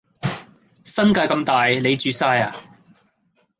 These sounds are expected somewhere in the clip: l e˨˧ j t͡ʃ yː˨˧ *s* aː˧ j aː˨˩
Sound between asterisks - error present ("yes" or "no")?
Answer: no